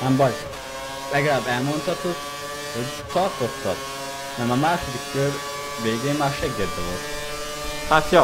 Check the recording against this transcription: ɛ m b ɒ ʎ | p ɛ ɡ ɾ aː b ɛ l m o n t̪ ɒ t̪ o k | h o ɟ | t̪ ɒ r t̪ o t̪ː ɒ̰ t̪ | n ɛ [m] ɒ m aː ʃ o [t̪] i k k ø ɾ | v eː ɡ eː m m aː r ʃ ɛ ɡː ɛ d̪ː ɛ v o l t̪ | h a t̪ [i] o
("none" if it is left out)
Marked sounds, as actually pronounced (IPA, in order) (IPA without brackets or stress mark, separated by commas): m, d̪, j